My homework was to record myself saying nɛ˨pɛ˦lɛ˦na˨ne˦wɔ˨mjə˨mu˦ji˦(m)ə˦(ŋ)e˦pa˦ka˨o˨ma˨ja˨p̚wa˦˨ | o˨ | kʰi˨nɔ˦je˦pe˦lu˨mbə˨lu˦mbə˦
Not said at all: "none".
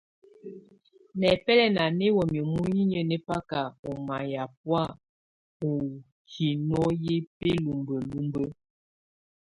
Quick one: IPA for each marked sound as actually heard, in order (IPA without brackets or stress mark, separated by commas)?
ɲ, n